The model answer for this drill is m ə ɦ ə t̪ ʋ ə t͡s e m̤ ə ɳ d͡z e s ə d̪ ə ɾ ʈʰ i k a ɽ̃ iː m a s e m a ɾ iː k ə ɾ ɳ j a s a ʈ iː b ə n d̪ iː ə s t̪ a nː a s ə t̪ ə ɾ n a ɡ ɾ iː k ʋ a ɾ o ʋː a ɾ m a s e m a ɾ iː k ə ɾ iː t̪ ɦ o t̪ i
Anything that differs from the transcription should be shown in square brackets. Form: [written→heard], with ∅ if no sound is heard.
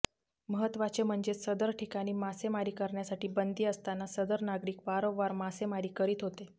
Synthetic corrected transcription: m ə ɦ ə t̪ ʋ [ə→a] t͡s e m̤ ə ɳ d͡z e s ə d̪ ə ɾ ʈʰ i k a ɽ̃ iː m a s e m a ɾ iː k ə ɾ ɳ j a s a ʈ iː b ə n d̪ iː ə s t̪ a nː a s ə [t̪→d̪] ə ɾ n a ɡ ɾ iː k ʋ a ɾ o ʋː a ɾ m a s e m a ɾ iː k ə ɾ iː t̪ ɦ o t̪ [i→e]